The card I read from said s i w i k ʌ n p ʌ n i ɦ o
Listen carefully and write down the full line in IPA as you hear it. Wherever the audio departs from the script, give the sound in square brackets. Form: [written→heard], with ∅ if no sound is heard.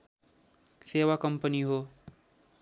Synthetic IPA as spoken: s [i→e] w [i→a] k ʌ [n→m] p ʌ n i ɦ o